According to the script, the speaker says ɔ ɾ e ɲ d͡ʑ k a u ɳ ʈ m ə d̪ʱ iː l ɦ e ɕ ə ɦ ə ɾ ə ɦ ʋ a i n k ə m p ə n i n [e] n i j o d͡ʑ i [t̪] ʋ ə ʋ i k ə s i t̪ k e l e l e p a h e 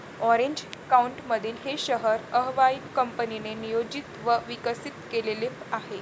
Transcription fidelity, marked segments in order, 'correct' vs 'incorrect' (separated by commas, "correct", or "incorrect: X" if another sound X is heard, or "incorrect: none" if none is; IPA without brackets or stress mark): correct, correct